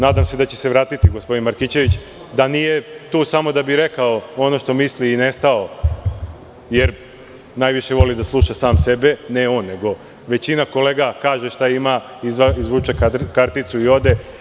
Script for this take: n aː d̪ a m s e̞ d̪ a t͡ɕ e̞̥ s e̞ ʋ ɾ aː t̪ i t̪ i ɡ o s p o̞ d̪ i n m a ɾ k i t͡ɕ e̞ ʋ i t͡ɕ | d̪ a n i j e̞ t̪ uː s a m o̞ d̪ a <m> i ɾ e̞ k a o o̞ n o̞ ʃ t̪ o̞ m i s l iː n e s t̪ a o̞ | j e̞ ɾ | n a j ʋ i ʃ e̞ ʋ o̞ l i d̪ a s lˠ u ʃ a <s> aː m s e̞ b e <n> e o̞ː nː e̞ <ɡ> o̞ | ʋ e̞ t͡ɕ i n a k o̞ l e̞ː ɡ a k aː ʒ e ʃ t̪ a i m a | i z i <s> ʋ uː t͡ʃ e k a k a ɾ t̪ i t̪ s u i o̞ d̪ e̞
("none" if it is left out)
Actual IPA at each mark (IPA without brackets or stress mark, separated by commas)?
b, s, n, ɡ, z